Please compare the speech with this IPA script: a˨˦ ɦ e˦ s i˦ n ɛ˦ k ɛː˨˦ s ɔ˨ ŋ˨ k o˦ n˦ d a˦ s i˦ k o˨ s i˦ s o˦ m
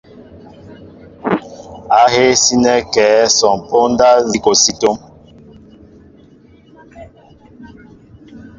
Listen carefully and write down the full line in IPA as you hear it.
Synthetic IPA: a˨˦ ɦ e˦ s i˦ n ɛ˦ k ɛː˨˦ s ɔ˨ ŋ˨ p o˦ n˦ d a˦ z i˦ k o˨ s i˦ t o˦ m